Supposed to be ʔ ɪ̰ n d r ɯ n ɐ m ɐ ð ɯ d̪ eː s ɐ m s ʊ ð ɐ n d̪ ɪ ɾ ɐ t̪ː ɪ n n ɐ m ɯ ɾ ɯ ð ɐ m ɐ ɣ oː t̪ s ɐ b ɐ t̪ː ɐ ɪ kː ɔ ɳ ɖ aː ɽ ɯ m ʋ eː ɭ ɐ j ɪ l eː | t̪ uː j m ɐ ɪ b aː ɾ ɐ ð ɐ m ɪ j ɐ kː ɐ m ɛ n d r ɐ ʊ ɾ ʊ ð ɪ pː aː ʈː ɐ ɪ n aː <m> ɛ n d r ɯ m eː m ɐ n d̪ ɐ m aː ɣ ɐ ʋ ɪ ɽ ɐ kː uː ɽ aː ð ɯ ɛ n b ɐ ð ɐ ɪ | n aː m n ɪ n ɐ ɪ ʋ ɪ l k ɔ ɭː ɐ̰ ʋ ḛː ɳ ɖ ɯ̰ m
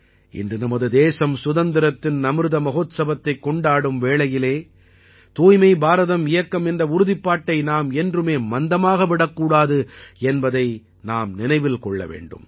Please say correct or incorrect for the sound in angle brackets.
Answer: correct